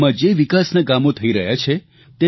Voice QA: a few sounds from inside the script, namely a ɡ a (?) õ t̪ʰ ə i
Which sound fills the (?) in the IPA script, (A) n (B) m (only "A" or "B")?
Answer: B